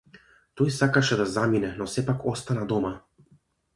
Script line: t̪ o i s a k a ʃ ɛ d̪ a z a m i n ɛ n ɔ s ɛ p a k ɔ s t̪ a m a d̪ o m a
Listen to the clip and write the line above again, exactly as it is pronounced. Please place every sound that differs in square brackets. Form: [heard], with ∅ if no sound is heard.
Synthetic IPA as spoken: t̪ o [j] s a k a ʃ ɛ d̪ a z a m i n ɛ n ɔ s ɛ p a k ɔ s t̪ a [n] a d̪ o m a